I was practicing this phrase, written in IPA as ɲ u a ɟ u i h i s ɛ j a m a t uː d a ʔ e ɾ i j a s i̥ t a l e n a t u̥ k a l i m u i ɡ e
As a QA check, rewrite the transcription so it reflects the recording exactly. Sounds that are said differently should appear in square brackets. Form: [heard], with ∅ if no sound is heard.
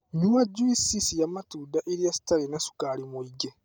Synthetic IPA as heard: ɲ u a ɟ u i [s] i s [i] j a m a t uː d a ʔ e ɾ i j a s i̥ t a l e n a [s] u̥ k a l i m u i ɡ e